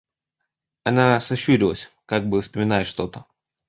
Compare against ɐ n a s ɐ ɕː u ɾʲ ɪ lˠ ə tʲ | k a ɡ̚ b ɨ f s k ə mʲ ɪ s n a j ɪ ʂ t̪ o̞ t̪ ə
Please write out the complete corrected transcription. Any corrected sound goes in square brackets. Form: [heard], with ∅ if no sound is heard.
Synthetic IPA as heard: ɐ n a s ɐ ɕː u ɾʲ ɪ lˠ ə [sʲ] | k a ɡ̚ b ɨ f s [p] ə mʲ ɪ [∅] n a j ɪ ʂ t̪ o̞ t̪ ə